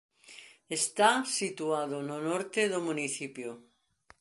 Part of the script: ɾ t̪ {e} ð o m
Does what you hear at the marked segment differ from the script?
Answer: no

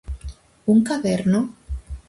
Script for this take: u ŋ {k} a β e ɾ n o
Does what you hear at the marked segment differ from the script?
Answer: no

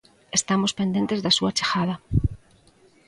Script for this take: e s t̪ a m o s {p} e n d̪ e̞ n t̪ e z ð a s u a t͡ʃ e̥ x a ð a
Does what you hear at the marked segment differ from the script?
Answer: no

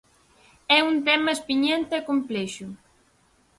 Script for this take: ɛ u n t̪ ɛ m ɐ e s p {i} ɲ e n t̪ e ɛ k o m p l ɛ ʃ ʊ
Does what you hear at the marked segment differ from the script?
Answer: no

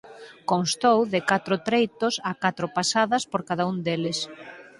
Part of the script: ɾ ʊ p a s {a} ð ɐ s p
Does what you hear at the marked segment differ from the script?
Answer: no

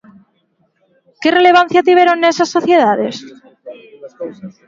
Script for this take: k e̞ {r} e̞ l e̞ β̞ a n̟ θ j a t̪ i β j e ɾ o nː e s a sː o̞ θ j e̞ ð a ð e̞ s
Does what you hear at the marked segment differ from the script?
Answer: no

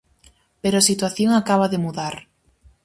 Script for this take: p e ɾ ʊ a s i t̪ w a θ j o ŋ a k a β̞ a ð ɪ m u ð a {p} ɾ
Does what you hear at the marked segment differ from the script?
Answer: yes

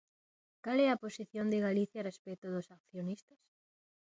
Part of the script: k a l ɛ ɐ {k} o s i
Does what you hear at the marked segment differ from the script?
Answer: yes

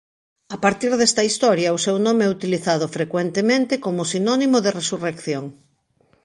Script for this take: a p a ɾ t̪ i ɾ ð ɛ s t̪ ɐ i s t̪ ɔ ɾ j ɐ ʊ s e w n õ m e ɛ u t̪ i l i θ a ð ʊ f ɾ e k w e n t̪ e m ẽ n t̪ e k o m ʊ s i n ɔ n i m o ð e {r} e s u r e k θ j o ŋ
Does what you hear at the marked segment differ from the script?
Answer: no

